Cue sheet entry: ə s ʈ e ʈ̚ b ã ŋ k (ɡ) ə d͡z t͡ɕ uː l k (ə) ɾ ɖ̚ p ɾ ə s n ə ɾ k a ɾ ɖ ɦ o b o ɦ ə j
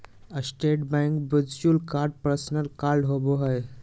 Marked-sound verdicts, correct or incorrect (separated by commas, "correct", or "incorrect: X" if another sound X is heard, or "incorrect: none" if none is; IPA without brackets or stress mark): incorrect: b, incorrect: a